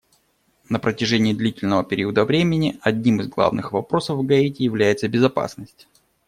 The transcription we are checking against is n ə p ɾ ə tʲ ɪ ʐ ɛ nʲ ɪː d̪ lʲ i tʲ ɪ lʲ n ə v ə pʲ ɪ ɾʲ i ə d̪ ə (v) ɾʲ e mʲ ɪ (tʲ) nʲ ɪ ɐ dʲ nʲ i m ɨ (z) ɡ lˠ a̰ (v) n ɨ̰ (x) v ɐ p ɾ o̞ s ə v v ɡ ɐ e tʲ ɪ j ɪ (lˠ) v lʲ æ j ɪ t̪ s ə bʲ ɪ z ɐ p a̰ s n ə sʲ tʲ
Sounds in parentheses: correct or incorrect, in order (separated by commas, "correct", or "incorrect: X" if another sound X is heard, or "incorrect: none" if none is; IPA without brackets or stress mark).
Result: correct, incorrect: none, correct, correct, correct, incorrect: none